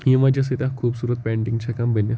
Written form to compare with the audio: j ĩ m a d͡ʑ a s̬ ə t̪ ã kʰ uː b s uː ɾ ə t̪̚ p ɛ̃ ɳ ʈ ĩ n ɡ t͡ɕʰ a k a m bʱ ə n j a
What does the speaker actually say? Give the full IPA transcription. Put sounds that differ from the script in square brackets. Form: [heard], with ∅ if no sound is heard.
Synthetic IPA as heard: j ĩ m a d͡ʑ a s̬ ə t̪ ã kʰ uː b s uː ɾ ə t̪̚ p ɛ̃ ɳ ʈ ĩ [ŋ] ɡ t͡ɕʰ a k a m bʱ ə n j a